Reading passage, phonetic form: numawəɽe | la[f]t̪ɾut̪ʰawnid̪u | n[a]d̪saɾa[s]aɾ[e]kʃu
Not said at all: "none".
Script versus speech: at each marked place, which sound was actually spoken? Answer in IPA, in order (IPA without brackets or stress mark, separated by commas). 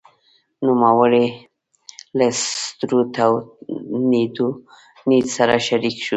s, i, ʃ, i